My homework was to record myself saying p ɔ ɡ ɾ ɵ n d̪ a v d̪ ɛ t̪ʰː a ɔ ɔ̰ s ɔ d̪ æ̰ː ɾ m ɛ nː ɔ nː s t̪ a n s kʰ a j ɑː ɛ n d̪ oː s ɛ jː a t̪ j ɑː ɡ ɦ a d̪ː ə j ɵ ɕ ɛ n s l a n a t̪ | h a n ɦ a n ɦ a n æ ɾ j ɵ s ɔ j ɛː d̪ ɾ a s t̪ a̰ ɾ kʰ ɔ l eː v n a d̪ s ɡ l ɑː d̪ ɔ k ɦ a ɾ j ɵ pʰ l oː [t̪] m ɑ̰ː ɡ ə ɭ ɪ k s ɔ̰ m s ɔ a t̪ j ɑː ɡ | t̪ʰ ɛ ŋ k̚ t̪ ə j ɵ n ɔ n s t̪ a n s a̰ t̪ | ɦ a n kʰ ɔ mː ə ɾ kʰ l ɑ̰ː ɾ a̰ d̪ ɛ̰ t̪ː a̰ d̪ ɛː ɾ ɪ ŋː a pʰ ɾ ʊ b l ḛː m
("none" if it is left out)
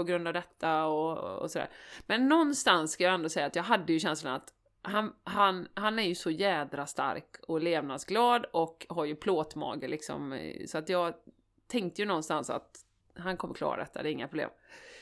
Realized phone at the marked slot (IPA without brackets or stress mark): t̪